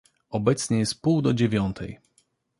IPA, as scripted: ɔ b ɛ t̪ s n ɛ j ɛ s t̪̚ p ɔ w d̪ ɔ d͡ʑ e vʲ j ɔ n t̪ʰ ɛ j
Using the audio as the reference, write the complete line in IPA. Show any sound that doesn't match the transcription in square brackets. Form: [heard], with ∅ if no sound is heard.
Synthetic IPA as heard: ɔ b ɛ t̪ s [ɲ] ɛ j ɛ s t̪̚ p [u] w d̪ ɔ d͡ʑ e vʲ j ɔ n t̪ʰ ɛ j